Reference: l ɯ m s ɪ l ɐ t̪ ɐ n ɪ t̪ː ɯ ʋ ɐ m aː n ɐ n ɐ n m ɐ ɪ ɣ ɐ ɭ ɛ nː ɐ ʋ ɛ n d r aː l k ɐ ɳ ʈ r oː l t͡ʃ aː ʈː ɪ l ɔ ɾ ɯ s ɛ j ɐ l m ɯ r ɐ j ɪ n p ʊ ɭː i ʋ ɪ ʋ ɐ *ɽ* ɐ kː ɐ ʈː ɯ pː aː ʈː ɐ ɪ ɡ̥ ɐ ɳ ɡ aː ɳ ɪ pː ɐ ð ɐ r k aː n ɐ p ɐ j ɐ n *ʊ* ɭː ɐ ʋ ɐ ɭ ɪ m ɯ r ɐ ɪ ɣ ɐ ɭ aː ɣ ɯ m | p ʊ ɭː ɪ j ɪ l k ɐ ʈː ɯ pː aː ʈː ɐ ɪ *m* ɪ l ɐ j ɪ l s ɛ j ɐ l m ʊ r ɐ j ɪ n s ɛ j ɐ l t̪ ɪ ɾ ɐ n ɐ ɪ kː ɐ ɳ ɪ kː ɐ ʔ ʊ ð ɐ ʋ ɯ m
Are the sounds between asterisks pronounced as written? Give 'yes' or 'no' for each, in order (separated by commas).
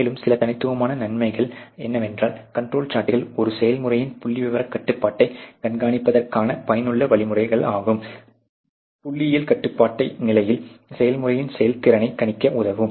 no, no, no